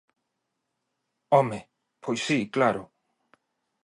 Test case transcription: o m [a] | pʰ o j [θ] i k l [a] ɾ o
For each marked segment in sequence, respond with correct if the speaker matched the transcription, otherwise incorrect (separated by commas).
incorrect, incorrect, correct